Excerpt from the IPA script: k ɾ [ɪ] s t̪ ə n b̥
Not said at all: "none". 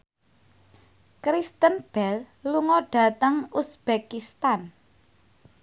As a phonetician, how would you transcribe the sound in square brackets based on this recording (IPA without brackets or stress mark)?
i